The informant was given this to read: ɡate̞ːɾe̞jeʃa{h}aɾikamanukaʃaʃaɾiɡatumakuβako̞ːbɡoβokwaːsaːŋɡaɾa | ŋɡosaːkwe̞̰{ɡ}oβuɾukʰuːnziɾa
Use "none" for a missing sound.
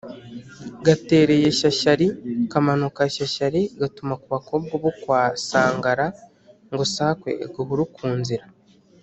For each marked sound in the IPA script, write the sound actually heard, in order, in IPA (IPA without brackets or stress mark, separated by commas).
ʃ, ɡ